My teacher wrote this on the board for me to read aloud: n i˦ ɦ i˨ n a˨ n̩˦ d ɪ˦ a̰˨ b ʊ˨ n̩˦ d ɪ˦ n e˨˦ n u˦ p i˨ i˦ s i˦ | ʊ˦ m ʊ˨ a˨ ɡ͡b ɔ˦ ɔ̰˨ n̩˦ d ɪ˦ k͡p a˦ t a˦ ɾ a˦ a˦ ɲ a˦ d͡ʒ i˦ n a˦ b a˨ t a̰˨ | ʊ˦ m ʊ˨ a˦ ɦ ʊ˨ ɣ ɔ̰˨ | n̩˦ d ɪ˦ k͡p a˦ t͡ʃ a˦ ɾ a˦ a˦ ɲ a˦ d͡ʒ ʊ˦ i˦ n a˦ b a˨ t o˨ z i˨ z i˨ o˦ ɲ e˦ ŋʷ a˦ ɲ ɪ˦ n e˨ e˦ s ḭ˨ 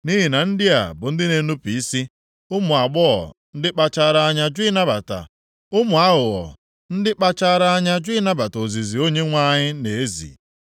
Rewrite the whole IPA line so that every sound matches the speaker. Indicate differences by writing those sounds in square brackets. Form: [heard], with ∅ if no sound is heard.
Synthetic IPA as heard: n i˦ ɦ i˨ n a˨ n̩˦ d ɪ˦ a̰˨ b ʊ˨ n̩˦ d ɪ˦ n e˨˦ n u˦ p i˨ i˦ s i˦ | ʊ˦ m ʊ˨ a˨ ɡ͡b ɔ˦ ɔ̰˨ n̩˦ d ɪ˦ k͡p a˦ [t͡ʃ] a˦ ɾ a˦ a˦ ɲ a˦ d͡ʒ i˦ n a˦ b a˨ t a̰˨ | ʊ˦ m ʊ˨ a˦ ɦ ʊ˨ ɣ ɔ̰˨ | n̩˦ d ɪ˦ k͡p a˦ t͡ʃ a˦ ɾ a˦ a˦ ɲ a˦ d͡ʒ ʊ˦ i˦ n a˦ b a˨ t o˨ z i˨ z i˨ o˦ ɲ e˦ ŋʷ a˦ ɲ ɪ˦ n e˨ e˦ [z] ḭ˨